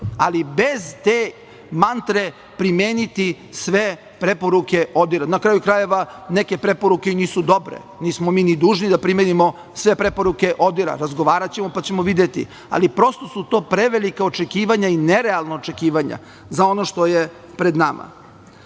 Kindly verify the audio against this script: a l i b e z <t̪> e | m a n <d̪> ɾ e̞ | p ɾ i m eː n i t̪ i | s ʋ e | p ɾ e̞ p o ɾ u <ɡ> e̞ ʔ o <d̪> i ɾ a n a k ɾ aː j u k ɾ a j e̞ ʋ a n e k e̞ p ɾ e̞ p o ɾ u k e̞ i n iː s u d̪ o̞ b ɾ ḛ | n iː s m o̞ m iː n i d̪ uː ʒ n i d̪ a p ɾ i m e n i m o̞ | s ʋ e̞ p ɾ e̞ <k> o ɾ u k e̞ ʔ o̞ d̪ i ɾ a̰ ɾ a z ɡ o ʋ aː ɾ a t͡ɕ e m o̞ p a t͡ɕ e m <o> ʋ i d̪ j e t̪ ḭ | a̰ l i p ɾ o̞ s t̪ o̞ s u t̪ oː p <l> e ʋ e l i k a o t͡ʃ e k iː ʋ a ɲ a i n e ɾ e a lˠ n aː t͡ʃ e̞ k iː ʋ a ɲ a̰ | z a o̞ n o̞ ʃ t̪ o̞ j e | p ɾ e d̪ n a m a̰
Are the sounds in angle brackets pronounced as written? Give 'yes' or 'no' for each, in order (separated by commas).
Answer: yes, no, no, yes, no, yes, no